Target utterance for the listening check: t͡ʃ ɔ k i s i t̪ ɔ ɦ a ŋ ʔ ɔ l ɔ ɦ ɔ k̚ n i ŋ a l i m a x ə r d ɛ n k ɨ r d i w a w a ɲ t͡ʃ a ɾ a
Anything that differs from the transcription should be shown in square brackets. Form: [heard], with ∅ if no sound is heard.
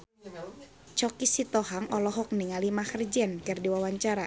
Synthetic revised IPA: t͡ʃ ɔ k i s i t̪ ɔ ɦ a ŋ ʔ ɔ l ɔ ɦ ɔ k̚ n i ŋ a l i m a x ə r [d͡ʒ] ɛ n k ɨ r d i w a w a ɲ t͡ʃ a ɾ a